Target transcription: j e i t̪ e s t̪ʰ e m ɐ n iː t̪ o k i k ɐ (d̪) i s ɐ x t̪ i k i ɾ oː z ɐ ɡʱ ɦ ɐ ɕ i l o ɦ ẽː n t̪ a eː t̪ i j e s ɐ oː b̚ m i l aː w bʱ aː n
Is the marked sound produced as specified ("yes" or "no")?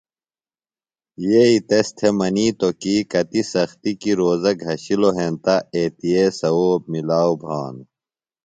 no